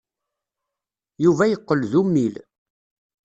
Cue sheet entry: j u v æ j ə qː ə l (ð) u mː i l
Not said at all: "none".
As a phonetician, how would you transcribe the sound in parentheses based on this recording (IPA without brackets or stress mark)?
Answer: ð